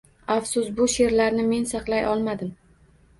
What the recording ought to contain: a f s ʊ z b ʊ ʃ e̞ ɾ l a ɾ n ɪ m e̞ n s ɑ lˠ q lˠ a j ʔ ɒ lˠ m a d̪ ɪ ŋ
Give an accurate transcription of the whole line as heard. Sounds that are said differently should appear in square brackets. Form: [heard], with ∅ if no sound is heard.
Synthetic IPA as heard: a f s ʊ [s] b ʊ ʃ e̞ ɾ l a ɾ n ɪ m e̞ n s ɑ [∅] q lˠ a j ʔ ɒ lˠ m a d̪ ɪ [m]